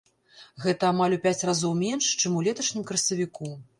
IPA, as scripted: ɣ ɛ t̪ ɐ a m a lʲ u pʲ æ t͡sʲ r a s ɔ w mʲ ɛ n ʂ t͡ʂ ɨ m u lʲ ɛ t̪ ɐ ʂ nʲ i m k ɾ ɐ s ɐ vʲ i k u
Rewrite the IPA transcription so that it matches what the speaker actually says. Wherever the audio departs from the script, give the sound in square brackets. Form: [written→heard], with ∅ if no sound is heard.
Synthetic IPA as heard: ɣ ɛ t̪ ɐ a m a lʲ u pʲ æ t͡sʲ r a [s→z] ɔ w mʲ ɛ n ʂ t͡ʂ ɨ m u lʲ ɛ t̪ ɐ ʂ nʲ i m k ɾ ɐ s ɐ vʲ i k u